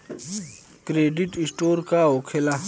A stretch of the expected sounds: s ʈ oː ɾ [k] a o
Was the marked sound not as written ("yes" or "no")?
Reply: no